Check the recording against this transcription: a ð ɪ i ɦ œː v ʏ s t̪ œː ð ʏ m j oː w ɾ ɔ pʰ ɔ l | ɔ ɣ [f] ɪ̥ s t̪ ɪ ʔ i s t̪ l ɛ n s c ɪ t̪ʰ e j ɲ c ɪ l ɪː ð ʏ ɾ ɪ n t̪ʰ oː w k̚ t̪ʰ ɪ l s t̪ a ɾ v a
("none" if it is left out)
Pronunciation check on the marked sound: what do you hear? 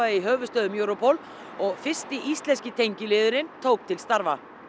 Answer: f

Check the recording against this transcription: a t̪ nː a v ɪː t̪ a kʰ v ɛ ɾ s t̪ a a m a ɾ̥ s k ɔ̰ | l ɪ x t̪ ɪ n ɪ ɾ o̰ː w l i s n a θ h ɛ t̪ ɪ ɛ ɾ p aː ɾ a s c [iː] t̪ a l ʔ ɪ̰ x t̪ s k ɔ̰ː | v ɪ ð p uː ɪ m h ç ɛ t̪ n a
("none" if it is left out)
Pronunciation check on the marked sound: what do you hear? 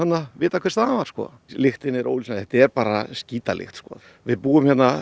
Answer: iː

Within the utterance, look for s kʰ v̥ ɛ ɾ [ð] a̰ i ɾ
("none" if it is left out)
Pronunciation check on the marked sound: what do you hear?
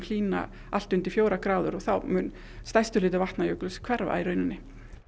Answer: v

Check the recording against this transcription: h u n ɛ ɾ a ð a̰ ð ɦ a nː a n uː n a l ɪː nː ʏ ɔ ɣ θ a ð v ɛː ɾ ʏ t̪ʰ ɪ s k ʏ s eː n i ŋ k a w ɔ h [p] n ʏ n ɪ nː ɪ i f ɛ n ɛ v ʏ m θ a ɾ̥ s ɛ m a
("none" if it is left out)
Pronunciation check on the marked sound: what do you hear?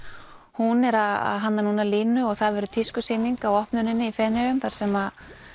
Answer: p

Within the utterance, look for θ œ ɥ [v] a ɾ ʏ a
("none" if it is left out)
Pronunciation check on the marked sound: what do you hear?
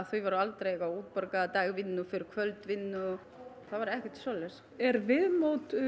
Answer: v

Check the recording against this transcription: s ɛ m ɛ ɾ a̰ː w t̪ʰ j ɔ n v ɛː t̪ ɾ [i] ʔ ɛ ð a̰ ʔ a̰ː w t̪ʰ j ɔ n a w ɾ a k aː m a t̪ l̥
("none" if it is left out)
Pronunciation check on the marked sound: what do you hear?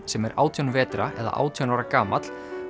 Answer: a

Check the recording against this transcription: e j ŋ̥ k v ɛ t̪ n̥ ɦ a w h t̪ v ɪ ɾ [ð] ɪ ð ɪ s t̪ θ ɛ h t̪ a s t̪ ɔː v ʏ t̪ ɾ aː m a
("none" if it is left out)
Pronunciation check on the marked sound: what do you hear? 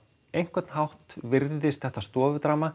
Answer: ð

